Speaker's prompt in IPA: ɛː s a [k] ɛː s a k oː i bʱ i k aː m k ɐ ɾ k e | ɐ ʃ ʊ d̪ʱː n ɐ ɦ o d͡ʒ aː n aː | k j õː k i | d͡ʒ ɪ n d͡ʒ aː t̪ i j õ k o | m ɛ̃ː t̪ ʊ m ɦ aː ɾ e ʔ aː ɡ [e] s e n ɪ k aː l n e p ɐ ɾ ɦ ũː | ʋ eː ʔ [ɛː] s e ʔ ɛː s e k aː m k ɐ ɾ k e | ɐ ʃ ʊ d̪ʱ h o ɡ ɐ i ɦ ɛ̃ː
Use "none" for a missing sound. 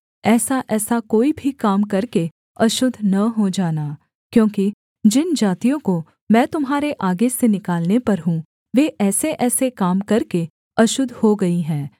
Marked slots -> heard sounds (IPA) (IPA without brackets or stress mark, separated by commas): ʔ, e, ɛː